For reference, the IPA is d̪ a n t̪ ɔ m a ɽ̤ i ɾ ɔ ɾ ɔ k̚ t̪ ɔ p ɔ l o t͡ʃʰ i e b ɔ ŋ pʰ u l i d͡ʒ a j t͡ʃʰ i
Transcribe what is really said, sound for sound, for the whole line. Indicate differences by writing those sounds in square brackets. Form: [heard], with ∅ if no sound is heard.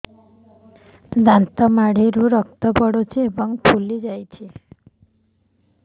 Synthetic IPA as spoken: d̪ a n t̪ ɔ m a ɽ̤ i ɾ [u] ɾ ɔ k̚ t̪ ɔ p ɔ [ɽ] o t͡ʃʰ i e b ɔ ŋ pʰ u l i d͡ʒ a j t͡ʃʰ i

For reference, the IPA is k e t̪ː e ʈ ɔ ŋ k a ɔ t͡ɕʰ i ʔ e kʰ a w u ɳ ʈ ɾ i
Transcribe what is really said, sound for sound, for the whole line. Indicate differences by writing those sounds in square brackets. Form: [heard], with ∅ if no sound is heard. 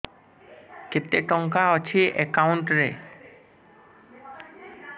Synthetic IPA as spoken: k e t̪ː e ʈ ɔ ŋ k a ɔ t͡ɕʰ i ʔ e [k] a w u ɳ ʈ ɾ [e]

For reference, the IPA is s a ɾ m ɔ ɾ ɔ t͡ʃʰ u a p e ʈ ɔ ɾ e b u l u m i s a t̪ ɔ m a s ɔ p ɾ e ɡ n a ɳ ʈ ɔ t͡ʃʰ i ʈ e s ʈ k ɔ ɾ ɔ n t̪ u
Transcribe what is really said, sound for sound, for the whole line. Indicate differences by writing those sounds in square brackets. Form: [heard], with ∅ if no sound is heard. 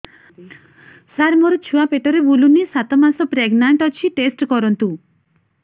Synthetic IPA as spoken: s a ɾ m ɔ ɾ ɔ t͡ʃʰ u a p e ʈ ɔ ɾ e b u l u [n] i s a t̪ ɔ m a s ɔ p ɾ e ɡ n a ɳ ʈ ɔ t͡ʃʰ i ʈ e s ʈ k ɔ ɾ ɔ n t̪ u

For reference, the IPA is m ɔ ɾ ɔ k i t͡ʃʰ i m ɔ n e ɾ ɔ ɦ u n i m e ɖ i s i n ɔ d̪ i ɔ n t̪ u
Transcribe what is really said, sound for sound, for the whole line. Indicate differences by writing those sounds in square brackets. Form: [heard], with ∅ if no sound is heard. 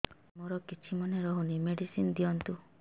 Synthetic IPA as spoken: m [o] ɾ ɔ k i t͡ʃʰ i m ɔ n e ɾ ɔ ɦ u n i m e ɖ i s i n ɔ d̪ i ɔ n t̪ u

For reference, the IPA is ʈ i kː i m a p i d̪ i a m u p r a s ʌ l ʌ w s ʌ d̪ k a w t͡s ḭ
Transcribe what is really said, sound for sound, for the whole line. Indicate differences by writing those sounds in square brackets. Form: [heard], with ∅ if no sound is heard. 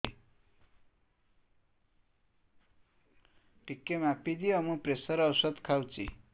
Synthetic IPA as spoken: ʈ i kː [e] m a p i d̪ i [ʌ] m u p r [e] s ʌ [ɾ] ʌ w s ʌ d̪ [kʰ] a w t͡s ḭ

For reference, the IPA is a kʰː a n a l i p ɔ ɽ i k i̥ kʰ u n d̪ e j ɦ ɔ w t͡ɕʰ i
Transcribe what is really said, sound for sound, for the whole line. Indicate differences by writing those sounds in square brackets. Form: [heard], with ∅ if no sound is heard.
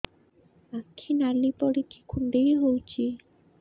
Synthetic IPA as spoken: a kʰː [i] n a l i p ɔ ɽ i k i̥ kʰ u n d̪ e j ɦ [o] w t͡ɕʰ i

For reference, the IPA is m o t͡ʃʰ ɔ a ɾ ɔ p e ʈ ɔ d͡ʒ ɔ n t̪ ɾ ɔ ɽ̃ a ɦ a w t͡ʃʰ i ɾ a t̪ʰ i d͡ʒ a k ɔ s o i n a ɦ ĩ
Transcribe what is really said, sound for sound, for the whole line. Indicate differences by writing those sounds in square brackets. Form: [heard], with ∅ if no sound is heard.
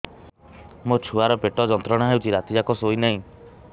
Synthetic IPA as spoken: m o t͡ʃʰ [u] a ɾ ɔ p e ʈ ɔ d͡ʒ ɔ n t̪ ɾ ɔ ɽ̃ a ɦ [e] w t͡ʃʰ i ɾ a [t̪] i d͡ʒ a k ɔ s o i n a ɦ ĩ

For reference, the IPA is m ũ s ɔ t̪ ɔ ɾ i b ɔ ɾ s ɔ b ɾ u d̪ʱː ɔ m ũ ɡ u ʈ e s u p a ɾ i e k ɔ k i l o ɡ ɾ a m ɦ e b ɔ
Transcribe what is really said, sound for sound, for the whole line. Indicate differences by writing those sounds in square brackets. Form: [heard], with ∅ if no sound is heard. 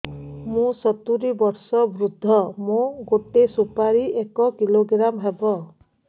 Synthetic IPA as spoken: m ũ s ɔ t̪ [u] ɾ i b ɔ ɾ s ɔ b ɾ u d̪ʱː ɔ m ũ ɡ [o] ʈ e s u p a ɾ i e k ɔ k i l o ɡ ɾ a m ɦ e b ɔ

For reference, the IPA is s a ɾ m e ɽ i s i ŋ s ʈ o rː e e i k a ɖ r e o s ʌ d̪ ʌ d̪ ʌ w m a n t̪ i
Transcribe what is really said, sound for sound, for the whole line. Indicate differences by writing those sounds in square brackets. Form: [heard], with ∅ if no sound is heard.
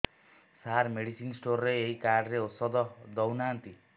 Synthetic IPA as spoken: s a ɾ m e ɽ i s i [n] s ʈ o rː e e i k a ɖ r e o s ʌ d̪ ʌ d̪ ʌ w [n] a n t̪ i

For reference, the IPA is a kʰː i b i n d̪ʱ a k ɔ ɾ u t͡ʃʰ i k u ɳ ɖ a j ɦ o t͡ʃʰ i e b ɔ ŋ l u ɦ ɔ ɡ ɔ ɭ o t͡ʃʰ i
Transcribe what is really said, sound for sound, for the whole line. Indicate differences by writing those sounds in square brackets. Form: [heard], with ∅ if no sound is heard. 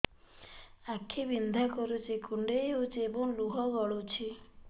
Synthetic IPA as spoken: a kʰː i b i n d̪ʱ a k ɔ ɾ u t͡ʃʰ i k u ɳ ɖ [e] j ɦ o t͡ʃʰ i e b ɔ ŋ l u ɦ ɔ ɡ ɔ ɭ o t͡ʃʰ i

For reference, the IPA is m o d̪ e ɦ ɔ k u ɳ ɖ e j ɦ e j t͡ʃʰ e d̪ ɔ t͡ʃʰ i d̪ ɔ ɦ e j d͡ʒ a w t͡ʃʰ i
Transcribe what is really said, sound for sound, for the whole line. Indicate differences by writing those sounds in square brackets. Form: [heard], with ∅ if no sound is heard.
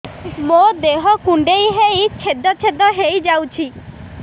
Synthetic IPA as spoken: m o d̪ e ɦ ɔ k u ɳ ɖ e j ɦ e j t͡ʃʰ e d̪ ɔ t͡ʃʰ [e] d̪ ɔ ɦ e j d͡ʒ a w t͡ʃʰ i

